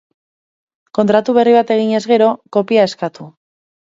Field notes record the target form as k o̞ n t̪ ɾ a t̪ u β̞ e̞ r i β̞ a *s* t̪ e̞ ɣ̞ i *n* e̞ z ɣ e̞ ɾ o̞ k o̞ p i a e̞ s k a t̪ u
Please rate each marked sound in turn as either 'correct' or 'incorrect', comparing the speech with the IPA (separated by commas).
incorrect, incorrect